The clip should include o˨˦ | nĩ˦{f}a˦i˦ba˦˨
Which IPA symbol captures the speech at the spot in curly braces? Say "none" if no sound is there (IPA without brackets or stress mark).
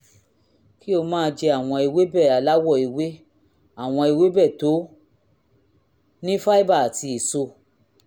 f